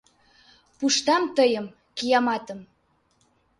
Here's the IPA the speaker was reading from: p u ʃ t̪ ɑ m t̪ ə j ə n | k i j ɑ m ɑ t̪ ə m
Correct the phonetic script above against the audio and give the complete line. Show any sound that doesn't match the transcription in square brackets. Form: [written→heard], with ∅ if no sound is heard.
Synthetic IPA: p u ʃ t̪ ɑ m t̪ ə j ə [n→m] | k i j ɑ m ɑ t̪ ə m